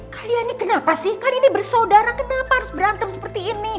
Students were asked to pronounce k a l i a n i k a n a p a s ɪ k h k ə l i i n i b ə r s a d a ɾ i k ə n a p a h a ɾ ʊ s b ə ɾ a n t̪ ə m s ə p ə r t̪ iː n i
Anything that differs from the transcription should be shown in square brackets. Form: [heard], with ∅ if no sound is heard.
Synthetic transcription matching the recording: k a l i a n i k [ə] n a p a s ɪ [∅] h k [a] l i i n i b ə r s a d a ɾ [a] k ə n a p a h a ɾ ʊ s b ə ɾ a n t̪ ə m s ə p ə r t̪ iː n i